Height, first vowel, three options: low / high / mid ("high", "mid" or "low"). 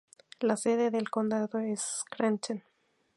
low